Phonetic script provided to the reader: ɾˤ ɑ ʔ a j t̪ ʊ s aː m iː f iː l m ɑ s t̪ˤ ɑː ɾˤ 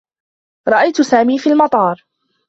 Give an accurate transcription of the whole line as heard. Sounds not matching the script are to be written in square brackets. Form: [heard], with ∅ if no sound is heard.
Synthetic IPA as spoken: ɾˤ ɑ ʔ a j t̪ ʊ s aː m iː f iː l m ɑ [∅] t̪ˤ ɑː ɾˤ